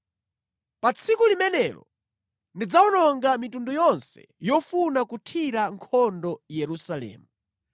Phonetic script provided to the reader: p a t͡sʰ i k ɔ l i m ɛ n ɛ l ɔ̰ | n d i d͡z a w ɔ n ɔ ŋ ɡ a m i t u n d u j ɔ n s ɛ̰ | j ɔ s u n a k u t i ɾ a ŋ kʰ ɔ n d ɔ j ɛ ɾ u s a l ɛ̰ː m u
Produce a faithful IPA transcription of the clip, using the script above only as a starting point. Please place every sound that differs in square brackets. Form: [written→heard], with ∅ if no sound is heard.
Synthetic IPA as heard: p a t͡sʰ i k [ɔ→u] l i m ɛ n ɛ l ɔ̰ | n d i d͡z a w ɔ n ɔ ŋ ɡ a m i t u n d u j ɔ n s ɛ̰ | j ɔ [s→f] u n a k u [t→tʰ] i ɾ a ŋ kʰ ɔ n d ɔ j ɛ ɾ u s a l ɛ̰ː m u